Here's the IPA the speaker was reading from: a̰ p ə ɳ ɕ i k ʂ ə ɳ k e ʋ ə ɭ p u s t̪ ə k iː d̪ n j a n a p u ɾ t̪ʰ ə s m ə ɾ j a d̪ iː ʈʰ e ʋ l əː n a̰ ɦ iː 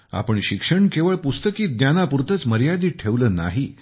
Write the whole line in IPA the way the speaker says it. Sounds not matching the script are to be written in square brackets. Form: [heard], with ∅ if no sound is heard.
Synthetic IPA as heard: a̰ p ə ɳ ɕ i k ʂ ə ɳ k e ʋ ə ɭ p u s t̪ ə k iː d̪ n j a n a p u ɾ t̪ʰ ə [t͡s] m ə ɾ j a d̪ iː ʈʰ e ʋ l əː n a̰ ɦ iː